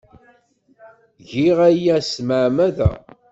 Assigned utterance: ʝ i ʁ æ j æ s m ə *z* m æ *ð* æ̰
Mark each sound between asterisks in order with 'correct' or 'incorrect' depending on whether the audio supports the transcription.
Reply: incorrect: ʕ, correct

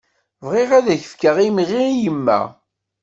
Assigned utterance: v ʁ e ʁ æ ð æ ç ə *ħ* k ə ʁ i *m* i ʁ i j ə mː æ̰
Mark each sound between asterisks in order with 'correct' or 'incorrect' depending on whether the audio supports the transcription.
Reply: incorrect: f, correct

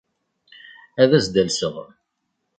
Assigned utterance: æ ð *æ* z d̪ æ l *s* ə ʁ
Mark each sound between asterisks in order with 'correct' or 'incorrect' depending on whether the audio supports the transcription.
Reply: correct, correct

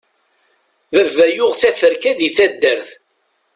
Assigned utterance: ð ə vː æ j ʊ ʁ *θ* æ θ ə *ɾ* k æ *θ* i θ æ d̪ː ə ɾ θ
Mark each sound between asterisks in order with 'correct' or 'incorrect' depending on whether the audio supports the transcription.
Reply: correct, correct, incorrect: ð

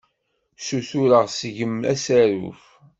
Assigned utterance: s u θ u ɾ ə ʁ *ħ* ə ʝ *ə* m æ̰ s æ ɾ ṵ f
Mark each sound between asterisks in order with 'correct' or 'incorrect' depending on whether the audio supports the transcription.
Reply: incorrect: s, correct

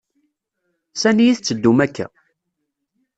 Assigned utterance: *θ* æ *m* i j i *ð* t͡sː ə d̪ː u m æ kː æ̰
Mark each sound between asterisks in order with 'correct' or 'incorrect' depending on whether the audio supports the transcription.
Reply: incorrect: s, incorrect: n, incorrect: θ

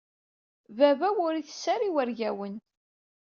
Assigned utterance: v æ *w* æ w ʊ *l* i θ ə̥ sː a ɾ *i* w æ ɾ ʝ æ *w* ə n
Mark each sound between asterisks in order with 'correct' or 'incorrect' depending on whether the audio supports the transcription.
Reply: incorrect: v, incorrect: ɾ, correct, correct

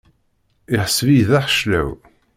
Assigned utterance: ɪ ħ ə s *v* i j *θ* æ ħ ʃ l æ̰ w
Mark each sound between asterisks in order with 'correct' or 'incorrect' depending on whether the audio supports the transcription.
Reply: correct, incorrect: ð

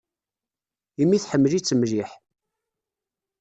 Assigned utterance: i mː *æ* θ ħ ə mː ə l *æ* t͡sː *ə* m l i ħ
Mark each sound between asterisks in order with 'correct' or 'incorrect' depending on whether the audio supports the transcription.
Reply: incorrect: i, incorrect: i, correct

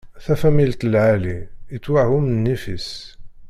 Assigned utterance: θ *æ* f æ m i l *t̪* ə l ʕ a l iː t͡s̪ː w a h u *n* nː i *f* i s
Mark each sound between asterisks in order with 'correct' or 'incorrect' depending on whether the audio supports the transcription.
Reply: correct, correct, incorrect: m, correct

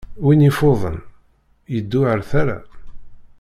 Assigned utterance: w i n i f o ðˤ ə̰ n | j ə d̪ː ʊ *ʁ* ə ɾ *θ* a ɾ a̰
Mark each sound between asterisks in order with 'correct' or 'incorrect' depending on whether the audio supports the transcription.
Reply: incorrect: ʕ, correct

